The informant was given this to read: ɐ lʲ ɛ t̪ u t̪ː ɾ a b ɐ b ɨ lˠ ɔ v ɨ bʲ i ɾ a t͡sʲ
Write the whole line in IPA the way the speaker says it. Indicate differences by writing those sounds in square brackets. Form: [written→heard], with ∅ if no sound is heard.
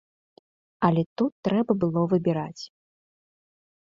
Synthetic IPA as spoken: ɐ lʲ ɛ t̪ u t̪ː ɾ [a→ɛ] b ɐ b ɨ lˠ ɔ v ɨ bʲ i ɾ a t͡sʲ